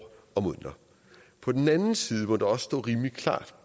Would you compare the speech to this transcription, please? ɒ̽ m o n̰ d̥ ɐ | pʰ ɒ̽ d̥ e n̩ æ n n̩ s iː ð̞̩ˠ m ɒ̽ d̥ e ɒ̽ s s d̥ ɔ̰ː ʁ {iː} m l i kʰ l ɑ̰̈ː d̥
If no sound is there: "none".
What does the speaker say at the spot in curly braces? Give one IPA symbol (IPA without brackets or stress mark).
iː